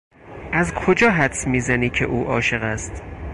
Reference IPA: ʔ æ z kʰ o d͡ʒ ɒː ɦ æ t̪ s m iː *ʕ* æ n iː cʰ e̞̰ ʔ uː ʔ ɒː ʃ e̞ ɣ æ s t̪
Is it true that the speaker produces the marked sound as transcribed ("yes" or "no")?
no